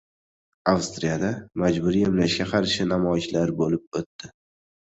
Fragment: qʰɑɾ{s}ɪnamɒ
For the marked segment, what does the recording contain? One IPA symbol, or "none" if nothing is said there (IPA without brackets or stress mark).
ʃ